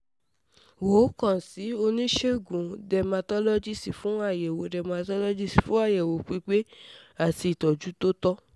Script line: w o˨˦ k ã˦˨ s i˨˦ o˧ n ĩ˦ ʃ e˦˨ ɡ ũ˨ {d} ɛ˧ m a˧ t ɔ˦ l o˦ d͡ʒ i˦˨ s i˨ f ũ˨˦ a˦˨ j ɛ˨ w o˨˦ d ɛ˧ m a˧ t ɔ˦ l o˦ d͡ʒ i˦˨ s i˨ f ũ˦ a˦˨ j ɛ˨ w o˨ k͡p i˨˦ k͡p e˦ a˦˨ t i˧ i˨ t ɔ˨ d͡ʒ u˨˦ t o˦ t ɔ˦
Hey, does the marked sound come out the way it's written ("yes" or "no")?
yes